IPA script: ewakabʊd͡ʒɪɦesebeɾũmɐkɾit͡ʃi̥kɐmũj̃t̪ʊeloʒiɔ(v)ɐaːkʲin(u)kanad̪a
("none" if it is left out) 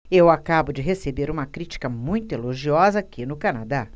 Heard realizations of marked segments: z, ʊ

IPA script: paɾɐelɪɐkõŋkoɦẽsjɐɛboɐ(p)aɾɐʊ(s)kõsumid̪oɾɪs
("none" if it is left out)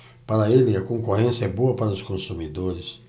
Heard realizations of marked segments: p, s

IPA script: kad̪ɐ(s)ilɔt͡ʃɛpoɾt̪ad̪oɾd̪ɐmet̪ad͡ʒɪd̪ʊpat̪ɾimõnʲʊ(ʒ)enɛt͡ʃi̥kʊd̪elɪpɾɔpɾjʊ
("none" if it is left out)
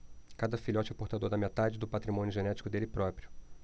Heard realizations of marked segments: f, ʒ

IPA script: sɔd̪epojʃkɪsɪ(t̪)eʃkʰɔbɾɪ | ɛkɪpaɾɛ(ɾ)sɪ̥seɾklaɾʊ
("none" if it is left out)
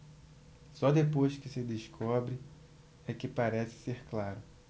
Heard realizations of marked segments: d̪, none

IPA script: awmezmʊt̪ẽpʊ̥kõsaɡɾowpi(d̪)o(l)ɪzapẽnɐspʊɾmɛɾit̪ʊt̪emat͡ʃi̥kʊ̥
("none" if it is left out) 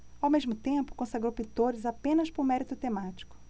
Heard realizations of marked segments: t̪, ɾ

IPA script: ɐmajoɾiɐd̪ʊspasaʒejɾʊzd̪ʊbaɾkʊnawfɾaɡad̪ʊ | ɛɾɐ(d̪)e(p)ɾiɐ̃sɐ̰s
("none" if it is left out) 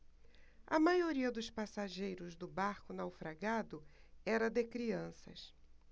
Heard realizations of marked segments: d̪, k

